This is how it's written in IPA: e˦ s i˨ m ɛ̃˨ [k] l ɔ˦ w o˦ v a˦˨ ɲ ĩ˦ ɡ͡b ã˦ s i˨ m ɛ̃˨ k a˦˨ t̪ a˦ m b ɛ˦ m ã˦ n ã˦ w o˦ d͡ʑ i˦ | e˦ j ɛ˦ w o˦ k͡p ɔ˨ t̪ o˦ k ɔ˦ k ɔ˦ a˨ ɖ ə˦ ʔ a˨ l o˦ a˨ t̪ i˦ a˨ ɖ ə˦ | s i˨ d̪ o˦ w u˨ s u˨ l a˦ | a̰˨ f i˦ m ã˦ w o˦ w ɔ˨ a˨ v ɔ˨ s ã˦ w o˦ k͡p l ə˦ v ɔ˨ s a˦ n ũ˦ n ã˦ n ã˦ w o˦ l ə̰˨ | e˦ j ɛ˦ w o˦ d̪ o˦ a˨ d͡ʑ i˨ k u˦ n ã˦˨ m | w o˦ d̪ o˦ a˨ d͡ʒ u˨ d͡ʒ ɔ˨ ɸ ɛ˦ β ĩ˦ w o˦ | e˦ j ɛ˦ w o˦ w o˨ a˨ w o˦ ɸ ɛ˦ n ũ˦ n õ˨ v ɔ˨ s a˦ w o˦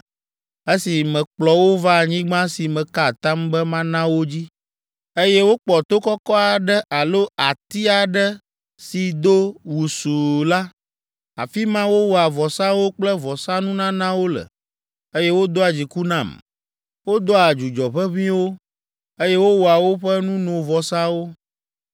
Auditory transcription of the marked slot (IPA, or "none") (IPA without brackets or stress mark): k͡p